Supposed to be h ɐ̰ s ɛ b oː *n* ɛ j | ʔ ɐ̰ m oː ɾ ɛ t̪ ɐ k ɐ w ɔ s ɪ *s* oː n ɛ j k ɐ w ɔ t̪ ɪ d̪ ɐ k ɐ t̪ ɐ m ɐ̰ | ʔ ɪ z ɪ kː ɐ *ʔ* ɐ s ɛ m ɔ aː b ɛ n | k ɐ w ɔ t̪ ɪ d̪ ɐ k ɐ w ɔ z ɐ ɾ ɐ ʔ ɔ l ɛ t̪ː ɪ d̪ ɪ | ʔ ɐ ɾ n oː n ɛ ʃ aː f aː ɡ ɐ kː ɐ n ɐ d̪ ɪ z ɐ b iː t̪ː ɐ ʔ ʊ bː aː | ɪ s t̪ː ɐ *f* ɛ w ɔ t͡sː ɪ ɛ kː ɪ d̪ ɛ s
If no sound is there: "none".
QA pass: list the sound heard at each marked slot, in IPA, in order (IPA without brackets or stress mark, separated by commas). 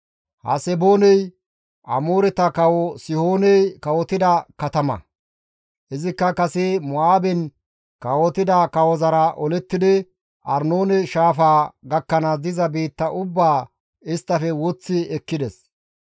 n, h, k, f